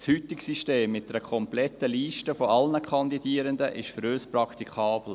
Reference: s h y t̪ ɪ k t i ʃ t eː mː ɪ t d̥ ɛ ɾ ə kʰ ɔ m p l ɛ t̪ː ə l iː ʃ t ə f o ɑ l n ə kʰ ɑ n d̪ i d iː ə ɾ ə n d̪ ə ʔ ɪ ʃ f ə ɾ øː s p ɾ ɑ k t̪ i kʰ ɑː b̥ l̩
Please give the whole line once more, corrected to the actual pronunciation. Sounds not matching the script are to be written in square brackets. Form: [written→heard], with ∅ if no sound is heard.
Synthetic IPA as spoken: s h y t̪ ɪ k [t→s] i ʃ t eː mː ɪ t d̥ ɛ ɾ ə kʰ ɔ m p l ɛ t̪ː ə l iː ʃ t ə f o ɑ l n ə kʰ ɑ n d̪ i d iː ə ɾ ə n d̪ ə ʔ ɪ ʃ f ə ɾ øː s p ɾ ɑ k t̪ i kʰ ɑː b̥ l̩